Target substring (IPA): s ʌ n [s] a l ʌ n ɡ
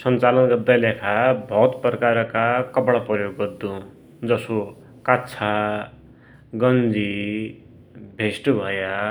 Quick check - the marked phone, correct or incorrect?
incorrect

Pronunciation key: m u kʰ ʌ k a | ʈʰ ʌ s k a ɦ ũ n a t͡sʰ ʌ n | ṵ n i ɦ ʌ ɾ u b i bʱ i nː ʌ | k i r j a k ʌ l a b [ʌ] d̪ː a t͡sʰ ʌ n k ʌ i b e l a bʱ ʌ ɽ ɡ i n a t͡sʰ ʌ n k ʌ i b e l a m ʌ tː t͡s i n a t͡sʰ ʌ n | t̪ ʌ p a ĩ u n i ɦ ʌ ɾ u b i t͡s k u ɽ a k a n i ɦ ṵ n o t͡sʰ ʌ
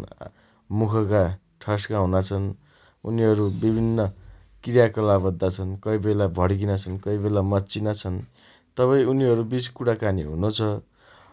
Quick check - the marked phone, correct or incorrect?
correct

